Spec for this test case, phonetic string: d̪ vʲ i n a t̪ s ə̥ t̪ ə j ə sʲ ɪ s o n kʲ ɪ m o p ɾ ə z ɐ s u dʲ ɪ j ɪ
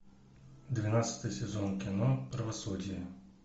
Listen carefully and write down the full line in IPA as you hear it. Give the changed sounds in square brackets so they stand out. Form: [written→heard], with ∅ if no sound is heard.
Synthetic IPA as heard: d̪ vʲ [i→ɪ] n a t̪ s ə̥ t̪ ə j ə sʲ ɪ [s→z] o n kʲ ɪ [m→n] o p ɾ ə [z→v] ɐ s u dʲ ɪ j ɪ